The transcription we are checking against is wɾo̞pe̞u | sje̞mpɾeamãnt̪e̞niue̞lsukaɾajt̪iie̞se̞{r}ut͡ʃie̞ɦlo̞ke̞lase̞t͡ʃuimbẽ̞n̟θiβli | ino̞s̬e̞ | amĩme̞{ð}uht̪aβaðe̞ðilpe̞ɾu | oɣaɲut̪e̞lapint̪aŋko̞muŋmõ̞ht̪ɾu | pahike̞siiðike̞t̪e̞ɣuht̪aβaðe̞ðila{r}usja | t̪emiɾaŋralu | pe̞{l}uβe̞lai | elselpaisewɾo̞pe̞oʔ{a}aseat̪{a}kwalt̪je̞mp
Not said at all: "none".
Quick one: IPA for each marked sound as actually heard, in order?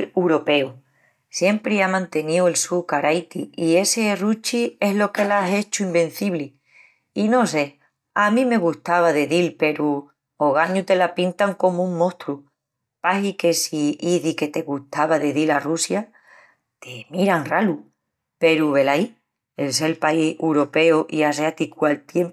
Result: r, ɣ, r, ɾ, i, i

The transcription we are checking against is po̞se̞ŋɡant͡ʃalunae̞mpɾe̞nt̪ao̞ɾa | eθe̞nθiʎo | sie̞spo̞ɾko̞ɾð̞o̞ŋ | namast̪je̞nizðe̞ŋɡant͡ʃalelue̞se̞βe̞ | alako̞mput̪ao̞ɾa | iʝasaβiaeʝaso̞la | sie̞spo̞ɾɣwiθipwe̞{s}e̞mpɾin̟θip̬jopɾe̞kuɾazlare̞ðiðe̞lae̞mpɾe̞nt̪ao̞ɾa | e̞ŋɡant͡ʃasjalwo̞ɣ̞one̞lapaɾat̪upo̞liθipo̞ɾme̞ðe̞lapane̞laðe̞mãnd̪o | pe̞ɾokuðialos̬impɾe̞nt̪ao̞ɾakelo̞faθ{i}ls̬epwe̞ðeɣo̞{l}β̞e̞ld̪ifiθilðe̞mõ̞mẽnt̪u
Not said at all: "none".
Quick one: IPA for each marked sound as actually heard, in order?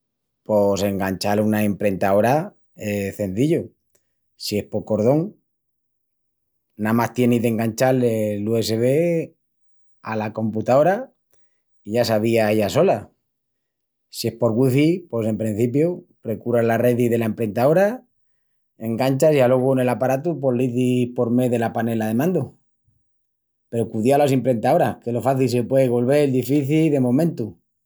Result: s, i, l

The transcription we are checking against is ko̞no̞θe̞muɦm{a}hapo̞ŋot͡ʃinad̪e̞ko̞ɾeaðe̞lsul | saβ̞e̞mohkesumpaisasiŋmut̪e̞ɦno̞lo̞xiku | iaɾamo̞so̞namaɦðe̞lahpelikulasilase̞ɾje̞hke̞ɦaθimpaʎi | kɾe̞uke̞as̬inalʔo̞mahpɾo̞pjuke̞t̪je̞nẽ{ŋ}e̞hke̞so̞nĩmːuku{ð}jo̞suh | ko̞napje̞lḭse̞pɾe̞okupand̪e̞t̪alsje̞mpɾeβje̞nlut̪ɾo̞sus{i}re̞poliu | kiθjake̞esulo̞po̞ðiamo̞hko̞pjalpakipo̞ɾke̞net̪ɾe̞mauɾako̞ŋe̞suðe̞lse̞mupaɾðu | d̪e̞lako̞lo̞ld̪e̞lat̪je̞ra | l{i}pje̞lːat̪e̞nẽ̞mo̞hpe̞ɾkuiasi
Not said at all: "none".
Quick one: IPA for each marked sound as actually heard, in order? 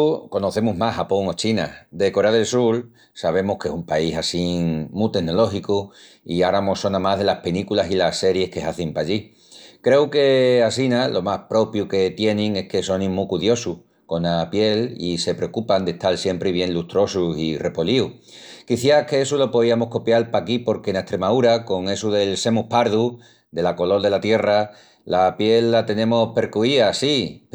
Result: a, ŋ, ð, i, a

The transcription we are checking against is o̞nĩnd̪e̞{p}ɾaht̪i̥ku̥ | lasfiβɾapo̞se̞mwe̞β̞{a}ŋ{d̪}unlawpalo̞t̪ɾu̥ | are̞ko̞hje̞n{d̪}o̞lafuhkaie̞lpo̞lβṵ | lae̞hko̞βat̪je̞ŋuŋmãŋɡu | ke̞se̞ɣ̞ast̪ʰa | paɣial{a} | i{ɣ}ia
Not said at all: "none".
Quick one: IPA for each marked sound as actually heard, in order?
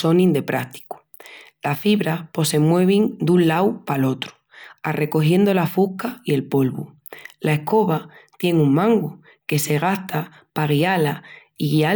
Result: p, i, d̪, d̪, a, ɣ

